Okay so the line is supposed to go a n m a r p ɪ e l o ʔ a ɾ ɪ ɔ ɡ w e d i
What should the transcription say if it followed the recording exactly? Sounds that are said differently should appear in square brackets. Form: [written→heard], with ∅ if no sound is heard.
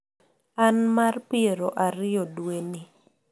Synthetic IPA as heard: a n m a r p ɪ e [l→ɾ] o ʔ a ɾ ɪ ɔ [ɡ→d] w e [d→n] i